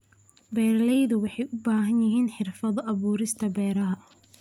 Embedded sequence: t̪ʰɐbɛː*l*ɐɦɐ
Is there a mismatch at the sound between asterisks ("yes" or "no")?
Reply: yes